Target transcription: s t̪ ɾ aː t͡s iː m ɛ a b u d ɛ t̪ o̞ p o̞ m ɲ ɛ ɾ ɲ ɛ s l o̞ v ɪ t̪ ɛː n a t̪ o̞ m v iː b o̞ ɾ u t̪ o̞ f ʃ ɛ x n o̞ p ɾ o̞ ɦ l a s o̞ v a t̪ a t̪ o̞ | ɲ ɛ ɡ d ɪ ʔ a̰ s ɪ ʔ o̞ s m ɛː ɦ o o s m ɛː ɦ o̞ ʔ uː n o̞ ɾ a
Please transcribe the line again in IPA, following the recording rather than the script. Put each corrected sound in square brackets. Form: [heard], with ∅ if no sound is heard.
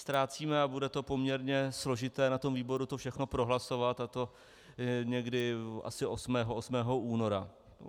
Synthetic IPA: s t̪ ɾ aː t͡s iː m ɛ a b u d ɛ t̪ o̞ p o̞ m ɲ ɛ ɾ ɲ ɛ s l o̞ [ʒ] ɪ t̪ ɛː n a t̪ o̞ m v iː b o̞ ɾ u t̪ o̞ f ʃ ɛ x n o̞ p ɾ o̞ ɦ l a s o̞ v a t̪ a t̪ o̞ | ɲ ɛ ɡ d ɪ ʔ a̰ s ɪ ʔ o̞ s m ɛː ɦ o o s m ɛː ɦ o̞ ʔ uː n o̞ ɾ a